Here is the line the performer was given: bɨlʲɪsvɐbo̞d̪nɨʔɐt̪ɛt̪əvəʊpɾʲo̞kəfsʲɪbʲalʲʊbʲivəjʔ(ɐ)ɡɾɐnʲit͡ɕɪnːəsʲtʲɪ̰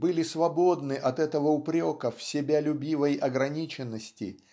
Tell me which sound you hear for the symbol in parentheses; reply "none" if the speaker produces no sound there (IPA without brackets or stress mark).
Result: ɐ